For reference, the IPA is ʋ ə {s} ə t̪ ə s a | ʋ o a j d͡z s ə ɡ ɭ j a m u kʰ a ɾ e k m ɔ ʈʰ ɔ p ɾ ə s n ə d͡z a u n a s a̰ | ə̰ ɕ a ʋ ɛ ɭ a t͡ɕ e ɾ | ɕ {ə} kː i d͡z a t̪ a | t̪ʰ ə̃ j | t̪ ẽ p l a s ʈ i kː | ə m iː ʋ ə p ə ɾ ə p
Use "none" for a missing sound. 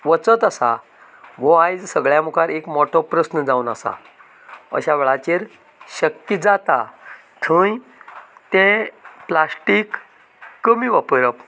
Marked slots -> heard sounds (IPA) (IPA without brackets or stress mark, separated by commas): t͡s, ə